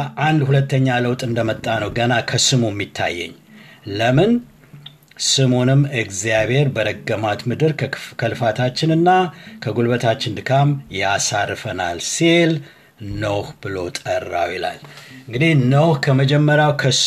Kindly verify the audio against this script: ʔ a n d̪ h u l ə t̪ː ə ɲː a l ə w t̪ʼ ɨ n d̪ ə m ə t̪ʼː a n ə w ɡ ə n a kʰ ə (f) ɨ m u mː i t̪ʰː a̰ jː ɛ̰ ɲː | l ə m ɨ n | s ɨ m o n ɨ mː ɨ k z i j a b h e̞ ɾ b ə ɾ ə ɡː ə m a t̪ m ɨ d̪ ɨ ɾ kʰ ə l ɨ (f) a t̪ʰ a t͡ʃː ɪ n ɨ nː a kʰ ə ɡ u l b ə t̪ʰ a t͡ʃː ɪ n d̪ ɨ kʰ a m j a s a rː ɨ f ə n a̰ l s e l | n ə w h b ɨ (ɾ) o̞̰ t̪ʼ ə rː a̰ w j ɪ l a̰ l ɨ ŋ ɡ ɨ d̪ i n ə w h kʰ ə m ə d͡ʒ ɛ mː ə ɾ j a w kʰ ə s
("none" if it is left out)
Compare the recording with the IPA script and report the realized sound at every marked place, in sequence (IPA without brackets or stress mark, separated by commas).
s, f, l